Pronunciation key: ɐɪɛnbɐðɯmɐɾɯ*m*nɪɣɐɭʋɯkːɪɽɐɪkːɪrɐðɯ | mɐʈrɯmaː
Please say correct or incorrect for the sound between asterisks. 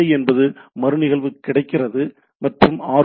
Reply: incorrect